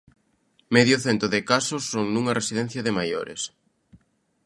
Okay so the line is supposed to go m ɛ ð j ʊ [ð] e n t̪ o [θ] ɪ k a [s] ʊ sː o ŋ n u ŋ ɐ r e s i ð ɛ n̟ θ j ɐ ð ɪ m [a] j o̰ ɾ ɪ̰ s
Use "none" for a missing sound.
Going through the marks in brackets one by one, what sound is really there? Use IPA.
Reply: θ, ð, s, a

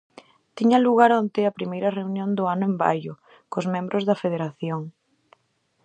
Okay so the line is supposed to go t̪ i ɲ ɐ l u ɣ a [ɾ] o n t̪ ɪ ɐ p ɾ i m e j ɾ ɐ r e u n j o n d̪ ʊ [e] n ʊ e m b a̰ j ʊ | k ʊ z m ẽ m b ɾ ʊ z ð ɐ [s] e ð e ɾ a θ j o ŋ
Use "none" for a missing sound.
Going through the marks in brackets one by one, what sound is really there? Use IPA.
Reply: ɾ, a, f

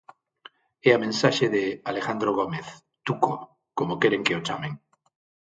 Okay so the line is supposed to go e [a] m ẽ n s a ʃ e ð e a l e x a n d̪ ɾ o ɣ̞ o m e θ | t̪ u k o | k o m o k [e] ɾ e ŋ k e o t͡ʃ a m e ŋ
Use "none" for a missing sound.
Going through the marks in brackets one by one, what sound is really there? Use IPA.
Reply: a, e

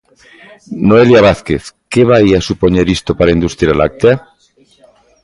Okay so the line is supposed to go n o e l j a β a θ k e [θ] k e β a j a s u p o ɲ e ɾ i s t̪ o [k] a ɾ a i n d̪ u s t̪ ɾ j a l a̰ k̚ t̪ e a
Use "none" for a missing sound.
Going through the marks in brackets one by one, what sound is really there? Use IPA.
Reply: θ, p

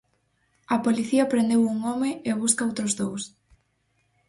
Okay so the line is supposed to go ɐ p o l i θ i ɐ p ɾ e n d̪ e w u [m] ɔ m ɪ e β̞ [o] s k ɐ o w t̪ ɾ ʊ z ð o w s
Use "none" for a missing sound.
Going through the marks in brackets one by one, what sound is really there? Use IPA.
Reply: ŋ, u

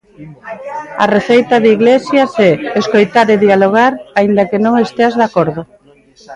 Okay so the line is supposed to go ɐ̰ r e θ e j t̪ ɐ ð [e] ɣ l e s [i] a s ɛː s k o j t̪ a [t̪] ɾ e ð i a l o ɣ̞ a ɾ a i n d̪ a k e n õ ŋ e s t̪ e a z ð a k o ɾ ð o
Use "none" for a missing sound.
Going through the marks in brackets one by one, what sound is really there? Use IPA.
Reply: i, j, none

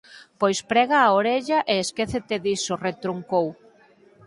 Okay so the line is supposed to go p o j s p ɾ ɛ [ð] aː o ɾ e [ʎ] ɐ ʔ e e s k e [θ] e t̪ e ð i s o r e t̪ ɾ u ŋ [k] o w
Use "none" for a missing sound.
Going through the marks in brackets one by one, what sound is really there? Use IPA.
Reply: ɣ, ʎ, θ, k

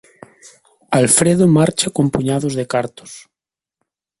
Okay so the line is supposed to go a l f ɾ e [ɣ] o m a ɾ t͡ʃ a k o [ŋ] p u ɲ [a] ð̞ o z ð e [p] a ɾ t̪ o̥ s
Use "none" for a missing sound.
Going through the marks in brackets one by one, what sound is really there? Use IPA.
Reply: ð, m, a, k

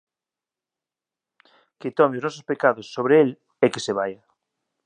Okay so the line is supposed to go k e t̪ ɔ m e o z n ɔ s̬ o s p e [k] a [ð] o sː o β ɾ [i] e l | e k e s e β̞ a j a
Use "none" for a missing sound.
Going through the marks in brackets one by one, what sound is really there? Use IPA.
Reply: k, ð, e

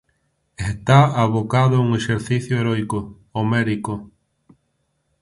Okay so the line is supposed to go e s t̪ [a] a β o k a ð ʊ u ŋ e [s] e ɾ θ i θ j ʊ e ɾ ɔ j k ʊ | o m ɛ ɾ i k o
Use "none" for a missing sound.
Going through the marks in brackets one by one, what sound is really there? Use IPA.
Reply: a, ʃ

